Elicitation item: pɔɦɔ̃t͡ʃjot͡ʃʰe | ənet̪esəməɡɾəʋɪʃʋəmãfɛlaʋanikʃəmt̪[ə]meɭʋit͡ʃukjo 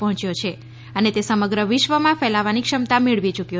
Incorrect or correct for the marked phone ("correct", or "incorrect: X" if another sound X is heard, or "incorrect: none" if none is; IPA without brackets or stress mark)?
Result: incorrect: a